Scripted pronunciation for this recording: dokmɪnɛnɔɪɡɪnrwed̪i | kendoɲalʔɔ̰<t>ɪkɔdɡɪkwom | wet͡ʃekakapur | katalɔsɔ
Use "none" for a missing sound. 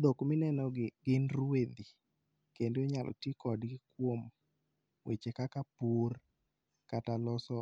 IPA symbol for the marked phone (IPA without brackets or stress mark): t